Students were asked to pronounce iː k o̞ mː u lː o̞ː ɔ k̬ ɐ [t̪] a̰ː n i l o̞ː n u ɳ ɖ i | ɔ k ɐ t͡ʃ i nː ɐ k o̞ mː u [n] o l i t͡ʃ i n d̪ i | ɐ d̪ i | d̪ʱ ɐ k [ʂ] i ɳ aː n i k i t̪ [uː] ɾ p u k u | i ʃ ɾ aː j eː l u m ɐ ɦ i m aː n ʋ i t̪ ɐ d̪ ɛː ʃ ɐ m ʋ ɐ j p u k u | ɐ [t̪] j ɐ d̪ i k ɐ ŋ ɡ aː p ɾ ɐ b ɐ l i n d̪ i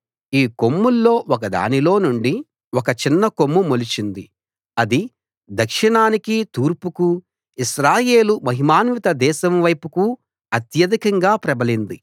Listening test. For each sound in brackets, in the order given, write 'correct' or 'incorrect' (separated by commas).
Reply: incorrect, incorrect, correct, correct, correct